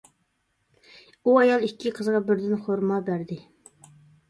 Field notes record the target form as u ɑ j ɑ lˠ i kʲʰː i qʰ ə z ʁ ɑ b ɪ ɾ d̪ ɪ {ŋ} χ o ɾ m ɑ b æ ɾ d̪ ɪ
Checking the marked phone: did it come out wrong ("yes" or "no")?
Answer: yes